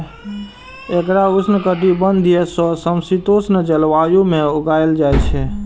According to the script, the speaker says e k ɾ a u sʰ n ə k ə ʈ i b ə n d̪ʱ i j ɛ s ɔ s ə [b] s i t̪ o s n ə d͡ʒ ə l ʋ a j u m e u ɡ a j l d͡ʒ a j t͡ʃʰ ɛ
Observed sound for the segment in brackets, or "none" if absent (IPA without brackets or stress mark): m